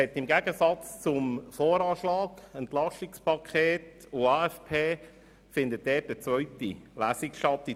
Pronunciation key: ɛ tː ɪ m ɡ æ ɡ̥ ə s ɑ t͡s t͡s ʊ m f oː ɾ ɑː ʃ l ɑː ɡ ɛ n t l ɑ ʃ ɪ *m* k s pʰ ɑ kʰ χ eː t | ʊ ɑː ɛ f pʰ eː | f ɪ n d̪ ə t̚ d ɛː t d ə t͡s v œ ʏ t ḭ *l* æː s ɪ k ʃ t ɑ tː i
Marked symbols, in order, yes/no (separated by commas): no, yes